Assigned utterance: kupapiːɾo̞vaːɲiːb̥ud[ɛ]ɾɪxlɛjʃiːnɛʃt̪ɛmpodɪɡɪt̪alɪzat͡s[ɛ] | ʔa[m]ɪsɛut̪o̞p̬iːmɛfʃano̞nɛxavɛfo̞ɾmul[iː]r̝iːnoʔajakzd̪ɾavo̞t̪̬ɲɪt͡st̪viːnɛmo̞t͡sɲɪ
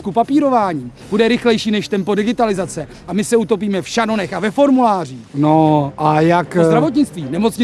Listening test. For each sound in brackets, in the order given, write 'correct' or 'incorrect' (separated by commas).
correct, correct, correct, incorrect